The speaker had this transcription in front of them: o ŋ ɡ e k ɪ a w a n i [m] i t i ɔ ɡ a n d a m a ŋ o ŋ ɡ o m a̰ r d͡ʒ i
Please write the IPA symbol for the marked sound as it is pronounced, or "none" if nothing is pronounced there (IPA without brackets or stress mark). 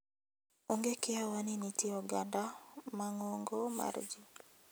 n